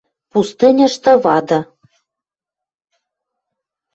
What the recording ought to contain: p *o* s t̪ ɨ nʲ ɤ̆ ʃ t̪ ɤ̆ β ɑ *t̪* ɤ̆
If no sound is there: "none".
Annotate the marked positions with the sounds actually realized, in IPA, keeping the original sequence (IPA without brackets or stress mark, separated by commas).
u, d̪